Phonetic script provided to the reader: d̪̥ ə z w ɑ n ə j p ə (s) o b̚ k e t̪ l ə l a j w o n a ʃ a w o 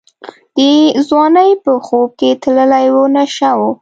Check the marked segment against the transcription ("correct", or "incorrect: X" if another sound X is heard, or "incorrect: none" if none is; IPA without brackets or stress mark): incorrect: x